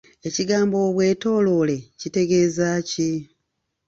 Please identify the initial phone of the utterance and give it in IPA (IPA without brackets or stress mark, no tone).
e̞